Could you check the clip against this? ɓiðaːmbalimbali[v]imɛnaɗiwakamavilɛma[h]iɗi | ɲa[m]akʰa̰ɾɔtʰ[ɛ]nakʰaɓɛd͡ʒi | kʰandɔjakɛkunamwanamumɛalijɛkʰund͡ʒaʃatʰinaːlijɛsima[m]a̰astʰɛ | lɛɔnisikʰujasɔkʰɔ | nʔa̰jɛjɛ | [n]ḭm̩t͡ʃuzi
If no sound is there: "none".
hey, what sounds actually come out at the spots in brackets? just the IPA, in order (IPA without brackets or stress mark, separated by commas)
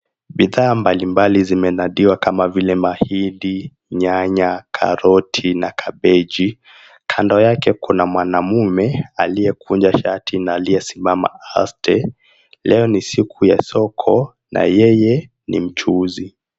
z, h, ɲ, i, m, n